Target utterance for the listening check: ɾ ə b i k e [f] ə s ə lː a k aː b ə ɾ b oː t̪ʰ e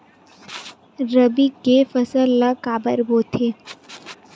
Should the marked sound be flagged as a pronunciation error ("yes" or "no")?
no